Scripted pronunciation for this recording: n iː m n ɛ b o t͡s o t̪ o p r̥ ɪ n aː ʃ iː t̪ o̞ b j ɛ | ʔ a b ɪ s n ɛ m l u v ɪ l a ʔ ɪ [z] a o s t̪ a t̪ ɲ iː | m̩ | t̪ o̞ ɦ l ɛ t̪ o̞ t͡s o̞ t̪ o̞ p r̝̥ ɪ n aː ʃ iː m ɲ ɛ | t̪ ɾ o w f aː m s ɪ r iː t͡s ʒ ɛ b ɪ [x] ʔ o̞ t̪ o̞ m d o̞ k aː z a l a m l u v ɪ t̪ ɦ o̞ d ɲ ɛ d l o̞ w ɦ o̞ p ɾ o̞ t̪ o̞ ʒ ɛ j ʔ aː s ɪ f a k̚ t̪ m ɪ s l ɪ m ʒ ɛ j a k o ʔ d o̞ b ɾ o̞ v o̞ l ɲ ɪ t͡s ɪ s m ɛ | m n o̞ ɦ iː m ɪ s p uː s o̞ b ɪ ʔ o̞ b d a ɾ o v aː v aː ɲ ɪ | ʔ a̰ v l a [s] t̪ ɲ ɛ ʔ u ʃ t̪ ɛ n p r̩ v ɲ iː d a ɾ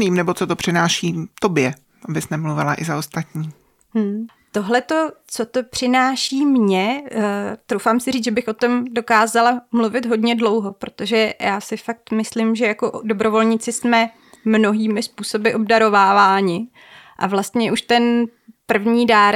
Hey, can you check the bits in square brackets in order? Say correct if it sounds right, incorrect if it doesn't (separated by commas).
correct, correct, correct